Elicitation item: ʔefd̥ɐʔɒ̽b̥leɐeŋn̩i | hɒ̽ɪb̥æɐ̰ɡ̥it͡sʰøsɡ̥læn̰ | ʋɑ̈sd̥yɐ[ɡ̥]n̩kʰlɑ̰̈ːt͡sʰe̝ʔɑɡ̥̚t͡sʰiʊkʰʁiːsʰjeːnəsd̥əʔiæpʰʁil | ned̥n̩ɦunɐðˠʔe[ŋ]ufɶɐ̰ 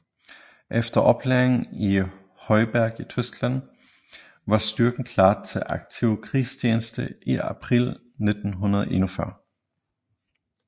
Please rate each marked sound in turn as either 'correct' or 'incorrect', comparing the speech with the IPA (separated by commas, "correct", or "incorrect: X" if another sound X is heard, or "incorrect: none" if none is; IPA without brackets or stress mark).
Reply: correct, incorrect: n